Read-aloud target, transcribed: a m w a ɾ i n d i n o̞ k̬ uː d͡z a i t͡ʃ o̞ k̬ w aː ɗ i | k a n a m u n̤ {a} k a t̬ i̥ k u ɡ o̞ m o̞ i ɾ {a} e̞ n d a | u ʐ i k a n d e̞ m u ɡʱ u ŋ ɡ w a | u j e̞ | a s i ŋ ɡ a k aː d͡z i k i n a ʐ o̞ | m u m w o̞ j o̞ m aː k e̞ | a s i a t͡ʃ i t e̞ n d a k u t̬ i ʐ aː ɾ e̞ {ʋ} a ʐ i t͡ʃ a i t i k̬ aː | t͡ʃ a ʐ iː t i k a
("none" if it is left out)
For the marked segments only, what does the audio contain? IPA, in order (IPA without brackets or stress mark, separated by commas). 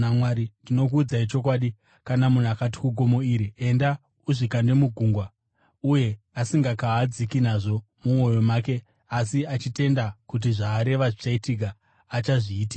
a, i, ʋ